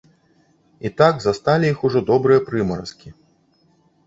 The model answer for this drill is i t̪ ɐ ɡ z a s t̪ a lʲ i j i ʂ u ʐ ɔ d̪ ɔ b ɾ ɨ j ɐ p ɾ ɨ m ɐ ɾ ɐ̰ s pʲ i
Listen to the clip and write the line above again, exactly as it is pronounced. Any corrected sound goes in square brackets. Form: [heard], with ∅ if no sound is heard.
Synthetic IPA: i t̪ [a] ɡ z a s t̪ a lʲ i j i [x] u ʐ ɔ d̪ ɔ b ɾ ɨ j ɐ p ɾ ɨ m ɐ ɾ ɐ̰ s [kʲ] i